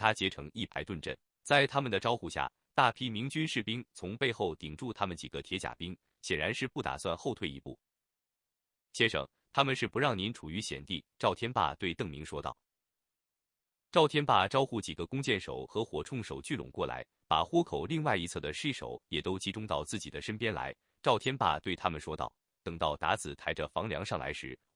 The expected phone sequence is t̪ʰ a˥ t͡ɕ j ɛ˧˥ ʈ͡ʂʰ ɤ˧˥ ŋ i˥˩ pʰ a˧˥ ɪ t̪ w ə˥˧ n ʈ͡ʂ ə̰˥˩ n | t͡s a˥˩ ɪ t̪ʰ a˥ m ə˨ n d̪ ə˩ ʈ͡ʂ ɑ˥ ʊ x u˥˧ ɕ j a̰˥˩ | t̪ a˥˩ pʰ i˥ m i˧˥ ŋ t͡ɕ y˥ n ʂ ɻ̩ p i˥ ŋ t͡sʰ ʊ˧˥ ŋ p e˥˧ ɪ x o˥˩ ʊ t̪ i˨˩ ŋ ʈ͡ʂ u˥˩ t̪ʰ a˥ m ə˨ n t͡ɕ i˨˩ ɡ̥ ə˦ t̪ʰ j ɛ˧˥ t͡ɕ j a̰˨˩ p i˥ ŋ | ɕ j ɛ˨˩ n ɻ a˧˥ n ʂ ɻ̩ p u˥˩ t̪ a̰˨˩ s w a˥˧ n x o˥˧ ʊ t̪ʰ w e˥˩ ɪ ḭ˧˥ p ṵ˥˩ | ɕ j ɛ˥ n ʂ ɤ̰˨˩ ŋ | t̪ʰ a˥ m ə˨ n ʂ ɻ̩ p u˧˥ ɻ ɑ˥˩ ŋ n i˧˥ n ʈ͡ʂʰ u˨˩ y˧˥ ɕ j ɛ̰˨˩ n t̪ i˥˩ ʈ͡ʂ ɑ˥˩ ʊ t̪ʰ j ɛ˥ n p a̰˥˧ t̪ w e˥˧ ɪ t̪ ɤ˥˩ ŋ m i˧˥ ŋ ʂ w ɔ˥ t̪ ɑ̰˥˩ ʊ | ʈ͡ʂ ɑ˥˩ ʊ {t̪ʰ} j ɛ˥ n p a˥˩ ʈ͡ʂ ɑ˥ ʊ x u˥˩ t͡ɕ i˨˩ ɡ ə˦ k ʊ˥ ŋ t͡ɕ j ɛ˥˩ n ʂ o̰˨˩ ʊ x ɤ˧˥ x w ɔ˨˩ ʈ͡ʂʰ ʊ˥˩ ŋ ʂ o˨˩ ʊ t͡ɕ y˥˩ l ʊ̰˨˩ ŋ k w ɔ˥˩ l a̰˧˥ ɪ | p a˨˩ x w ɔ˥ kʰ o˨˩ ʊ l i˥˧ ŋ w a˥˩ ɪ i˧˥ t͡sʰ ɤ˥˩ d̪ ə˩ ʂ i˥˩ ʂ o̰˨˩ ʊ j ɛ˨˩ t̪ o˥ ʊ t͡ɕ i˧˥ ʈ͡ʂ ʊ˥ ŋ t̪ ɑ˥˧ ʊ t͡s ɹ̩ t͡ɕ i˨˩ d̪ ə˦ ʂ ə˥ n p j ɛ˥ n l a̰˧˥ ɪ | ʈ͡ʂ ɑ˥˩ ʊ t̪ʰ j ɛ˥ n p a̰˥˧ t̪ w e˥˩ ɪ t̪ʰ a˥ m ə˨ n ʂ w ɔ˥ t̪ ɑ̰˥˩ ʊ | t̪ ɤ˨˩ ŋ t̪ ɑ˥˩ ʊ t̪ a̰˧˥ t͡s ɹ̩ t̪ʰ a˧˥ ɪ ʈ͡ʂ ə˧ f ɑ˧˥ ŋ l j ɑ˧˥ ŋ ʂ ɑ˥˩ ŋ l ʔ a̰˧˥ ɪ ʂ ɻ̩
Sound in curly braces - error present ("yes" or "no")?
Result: no